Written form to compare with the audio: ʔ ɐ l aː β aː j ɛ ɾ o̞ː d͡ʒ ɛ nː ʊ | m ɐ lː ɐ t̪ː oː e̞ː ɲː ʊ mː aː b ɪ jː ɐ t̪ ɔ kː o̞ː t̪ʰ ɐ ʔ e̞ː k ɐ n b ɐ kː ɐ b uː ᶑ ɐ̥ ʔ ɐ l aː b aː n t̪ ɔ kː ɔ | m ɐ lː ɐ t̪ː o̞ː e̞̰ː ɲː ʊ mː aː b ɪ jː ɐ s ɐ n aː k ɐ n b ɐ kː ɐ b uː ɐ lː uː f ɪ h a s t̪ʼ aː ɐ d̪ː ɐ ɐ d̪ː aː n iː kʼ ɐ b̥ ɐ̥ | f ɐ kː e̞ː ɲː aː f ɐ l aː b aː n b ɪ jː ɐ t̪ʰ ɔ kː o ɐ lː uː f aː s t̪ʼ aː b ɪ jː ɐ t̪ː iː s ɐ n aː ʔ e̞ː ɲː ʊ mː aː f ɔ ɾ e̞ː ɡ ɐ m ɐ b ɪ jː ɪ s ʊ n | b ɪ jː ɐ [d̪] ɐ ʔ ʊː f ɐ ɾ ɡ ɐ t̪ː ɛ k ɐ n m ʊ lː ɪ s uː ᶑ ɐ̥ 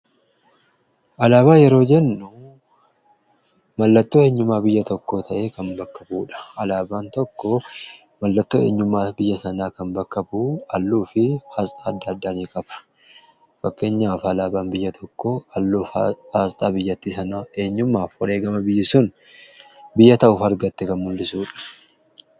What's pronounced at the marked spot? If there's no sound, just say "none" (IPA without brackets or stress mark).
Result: t̪